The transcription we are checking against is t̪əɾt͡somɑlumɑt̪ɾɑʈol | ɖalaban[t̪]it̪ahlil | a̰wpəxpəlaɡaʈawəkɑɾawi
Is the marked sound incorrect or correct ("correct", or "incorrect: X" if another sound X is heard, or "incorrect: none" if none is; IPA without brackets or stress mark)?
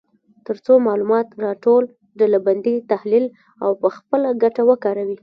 incorrect: d̪